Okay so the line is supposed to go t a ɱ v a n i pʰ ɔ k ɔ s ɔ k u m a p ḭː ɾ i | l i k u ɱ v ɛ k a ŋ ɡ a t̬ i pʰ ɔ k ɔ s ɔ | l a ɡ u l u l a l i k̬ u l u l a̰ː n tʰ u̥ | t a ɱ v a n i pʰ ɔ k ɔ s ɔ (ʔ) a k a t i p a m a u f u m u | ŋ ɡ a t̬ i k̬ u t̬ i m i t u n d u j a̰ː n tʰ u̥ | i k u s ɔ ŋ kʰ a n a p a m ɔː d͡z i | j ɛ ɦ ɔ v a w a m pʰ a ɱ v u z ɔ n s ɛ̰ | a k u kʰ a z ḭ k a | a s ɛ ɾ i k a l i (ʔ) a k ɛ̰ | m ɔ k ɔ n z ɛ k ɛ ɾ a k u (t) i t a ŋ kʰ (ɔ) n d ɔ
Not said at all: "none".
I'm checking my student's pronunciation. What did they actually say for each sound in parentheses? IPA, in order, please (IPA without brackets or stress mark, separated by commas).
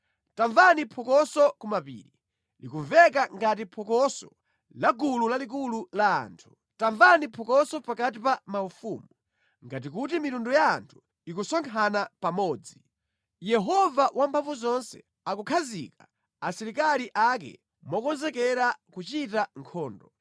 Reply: p, ʔ, t͡ʃ, ɔː